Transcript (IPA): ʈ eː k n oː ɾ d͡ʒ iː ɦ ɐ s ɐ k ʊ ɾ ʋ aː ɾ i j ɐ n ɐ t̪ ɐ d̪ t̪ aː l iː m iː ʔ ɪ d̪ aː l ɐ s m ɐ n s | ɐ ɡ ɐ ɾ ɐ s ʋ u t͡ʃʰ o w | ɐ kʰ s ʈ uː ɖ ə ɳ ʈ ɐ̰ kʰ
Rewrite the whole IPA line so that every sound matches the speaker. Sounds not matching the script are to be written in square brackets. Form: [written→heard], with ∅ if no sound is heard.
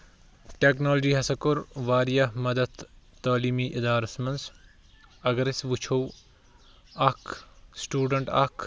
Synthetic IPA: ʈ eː k n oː [ɾ→l] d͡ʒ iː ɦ ɐ s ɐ k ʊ ɾ ʋ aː ɾ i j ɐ [n→m] ɐ [t̪→d̪] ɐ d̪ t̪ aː l iː m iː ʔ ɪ d̪ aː [l→ɾ] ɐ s m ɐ n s | ɐ ɡ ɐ ɾ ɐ s ʋ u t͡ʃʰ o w | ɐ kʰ s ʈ uː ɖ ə ɳ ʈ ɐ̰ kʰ

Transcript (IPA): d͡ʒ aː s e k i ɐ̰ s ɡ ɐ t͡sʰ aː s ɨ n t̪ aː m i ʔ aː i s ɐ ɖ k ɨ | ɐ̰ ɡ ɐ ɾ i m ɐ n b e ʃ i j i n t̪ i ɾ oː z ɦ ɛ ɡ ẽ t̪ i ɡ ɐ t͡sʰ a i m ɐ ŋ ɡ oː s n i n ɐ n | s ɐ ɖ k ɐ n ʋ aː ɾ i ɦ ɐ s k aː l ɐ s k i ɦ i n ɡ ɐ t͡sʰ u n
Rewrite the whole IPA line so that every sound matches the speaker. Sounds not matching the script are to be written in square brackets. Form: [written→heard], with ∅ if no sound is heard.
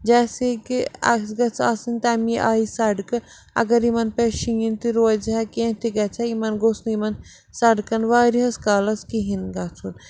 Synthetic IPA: d͡ʒ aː s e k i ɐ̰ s ɡ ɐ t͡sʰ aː s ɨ n t̪ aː m i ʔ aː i s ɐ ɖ k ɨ | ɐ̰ ɡ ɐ ɾ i m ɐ n [b→p] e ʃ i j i n t̪ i ɾ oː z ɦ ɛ [ɡ→k] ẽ t̪ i ɡ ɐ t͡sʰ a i m ɐ [ŋ→n] ɡ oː s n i [n→m] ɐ n | s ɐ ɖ k ɐ n ʋ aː ɾ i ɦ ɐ s k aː l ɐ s k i ɦ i n ɡ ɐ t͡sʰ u n

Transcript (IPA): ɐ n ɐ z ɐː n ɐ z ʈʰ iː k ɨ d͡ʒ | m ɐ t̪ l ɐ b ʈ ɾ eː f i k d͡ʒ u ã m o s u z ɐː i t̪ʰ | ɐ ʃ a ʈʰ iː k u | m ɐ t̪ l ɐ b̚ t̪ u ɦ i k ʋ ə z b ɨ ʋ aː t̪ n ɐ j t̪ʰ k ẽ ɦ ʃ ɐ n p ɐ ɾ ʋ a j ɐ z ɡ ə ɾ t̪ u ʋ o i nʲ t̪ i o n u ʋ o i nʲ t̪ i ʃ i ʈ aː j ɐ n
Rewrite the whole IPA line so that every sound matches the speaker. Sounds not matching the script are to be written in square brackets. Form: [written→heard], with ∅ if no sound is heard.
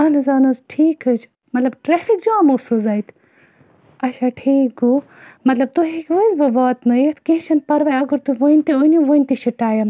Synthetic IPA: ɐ n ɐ z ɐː n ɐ z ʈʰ iː k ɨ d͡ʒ | m ɐ t̪ l ɐ b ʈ ɾ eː f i k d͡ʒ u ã m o s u z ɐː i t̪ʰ | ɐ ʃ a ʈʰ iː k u | m ɐ t̪ l ɐ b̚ t̪ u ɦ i k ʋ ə z b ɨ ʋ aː t̪ n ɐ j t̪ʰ k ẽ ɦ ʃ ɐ n p ɐ ɾ ʋ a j ɐ [z→∅] ɡ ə ɾ t̪ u ʋ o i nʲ t̪ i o n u ʋ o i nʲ t̪ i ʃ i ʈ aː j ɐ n

